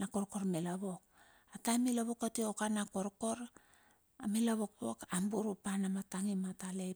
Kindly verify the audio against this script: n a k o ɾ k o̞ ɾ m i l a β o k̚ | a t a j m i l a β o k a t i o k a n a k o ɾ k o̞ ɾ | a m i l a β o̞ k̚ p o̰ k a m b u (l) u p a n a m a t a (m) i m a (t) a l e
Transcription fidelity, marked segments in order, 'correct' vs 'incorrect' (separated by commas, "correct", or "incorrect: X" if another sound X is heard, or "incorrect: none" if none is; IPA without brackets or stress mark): incorrect: ɾ, incorrect: ŋ, correct